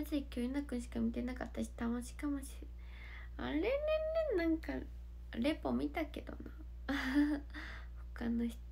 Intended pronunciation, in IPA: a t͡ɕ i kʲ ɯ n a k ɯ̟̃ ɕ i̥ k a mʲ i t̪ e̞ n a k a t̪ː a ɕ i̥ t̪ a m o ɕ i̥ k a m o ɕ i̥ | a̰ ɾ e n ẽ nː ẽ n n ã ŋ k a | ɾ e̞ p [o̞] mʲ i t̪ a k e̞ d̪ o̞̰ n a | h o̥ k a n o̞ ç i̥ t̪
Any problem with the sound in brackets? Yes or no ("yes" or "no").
no